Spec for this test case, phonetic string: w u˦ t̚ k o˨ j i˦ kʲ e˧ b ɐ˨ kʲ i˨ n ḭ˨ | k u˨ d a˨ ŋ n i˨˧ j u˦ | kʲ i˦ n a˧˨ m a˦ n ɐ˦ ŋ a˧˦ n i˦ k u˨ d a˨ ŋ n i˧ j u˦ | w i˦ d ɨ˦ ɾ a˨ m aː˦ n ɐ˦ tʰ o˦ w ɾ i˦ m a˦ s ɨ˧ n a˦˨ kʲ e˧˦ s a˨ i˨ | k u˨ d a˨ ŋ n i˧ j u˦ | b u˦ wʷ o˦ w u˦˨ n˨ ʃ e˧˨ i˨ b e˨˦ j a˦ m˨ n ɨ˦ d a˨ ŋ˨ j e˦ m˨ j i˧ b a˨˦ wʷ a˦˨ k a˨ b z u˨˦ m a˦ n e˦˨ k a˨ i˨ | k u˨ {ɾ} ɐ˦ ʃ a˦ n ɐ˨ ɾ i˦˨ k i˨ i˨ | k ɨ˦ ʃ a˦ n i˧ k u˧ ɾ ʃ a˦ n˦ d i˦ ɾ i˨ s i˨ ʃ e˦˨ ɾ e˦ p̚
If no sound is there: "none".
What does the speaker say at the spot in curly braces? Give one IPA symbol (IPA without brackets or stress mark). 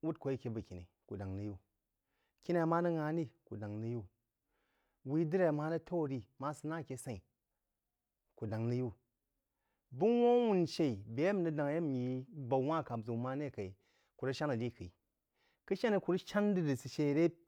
ɾ